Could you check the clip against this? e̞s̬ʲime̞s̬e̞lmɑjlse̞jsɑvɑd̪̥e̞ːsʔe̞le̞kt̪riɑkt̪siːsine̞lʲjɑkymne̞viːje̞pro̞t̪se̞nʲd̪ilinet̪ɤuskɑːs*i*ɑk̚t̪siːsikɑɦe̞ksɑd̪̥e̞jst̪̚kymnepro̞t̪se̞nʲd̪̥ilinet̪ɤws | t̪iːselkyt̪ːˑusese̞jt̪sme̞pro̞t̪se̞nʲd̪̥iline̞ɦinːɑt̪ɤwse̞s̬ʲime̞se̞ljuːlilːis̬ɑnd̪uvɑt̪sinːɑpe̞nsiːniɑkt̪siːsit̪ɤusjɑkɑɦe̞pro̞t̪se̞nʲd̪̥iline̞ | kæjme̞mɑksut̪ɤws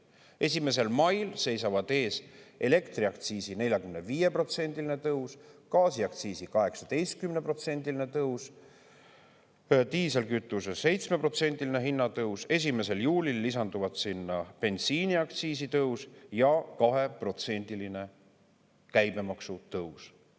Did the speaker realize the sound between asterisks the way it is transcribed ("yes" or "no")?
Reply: yes